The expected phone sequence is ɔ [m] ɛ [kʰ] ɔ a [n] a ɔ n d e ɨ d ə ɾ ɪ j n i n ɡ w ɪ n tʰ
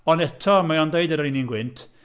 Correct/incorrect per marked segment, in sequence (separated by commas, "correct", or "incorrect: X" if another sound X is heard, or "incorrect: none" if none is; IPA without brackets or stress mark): incorrect: n, incorrect: tʰ, incorrect: m